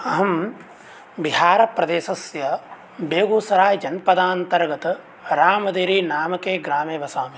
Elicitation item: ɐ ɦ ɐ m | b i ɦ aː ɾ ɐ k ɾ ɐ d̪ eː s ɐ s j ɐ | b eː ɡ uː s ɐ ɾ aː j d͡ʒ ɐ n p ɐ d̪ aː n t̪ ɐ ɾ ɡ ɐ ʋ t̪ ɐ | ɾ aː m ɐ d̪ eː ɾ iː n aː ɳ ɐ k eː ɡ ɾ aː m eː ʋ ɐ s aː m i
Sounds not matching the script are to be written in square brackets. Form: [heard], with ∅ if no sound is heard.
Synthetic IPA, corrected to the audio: ɐ ɦ ɐ m | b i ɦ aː ɾ ɐ [p] ɾ ɐ d̪ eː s ɐ s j ɐ | b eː ɡ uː s ɐ ɾ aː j d͡ʒ ɐ n p ɐ d̪ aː n t̪ ɐ ɾ ɡ ɐ [∅] t̪ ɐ | ɾ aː m ɐ d̪ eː ɾ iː n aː [m] ɐ k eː ɡ ɾ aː m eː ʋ ɐ s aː m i